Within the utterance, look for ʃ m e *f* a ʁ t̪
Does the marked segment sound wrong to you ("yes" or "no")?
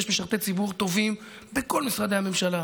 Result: yes